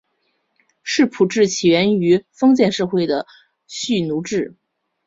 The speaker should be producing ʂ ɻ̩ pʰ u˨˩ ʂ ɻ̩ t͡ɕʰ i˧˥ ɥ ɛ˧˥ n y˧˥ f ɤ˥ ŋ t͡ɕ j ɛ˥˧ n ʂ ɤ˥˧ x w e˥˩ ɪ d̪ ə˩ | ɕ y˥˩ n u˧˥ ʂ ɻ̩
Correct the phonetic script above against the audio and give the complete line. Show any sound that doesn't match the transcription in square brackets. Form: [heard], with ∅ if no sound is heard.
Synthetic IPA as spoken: ʂ ɻ̩ pʰ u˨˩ [ʈ͡ʂ] ɻ̩ t͡ɕʰ [i˨˩] ɥ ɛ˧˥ n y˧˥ f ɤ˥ ŋ t͡ɕ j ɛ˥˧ n ʂ ɤ˥˧ x w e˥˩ ɪ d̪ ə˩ | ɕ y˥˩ n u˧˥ [ʈ͡ʂ] ɻ̩